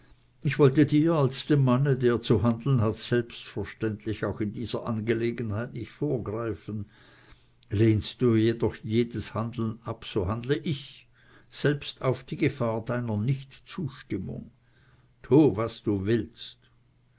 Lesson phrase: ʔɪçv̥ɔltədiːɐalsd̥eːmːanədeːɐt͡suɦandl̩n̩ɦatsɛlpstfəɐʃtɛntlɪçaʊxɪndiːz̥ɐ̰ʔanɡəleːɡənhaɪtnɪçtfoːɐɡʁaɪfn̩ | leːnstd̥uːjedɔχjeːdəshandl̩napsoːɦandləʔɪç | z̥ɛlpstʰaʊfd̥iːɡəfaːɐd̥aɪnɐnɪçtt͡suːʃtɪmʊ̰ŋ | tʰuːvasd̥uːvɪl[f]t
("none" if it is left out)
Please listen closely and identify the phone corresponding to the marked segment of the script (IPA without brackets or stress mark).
s